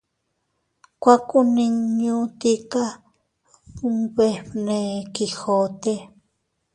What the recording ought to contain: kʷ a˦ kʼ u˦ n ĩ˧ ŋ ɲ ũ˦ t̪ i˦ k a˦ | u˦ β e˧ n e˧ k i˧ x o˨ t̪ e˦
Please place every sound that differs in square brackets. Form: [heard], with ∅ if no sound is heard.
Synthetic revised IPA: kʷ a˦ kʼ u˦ n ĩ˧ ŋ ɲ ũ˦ t̪ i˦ k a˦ | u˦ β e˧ n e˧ k i˧ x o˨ t̪ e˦